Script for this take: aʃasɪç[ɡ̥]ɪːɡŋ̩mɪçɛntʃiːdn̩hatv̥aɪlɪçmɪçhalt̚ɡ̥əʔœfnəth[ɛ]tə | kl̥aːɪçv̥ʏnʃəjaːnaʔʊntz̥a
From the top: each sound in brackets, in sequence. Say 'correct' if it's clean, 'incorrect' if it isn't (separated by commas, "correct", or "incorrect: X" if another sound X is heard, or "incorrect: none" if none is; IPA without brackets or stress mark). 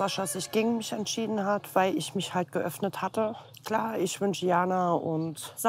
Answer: correct, incorrect: a